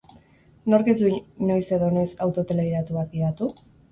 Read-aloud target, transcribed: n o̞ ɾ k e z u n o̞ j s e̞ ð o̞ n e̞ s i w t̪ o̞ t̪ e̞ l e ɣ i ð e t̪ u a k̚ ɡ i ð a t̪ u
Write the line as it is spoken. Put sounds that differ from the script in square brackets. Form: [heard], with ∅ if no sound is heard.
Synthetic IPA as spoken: n o̞ ɾ k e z u n o̞ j s e̞ ð o̞ n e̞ s [a] w t̪ o̞ t̪ e̞ l e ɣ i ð [a] t̪ u a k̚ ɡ i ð a t̪ u